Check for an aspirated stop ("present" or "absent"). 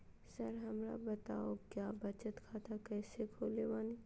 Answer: present